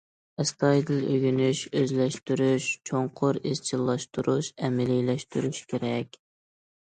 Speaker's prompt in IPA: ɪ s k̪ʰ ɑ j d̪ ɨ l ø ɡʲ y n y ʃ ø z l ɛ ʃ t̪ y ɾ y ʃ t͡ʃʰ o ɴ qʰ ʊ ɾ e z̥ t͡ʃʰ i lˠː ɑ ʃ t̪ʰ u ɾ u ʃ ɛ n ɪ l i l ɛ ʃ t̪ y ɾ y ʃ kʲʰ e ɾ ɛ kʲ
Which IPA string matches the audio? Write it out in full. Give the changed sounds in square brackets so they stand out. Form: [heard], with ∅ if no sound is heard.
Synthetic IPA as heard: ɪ s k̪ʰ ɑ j d̪ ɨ l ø ɡʲ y n y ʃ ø z l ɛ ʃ t̪ y ɾ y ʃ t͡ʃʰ o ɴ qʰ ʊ ɾ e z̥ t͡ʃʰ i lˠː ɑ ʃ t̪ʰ u ɾ u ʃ ɛ [m] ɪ l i l ɛ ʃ t̪ y ɾ y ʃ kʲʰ e ɾ ɛ kʲ